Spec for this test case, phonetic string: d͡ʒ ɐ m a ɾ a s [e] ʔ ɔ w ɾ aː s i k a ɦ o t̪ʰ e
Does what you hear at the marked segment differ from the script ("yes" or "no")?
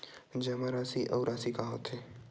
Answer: yes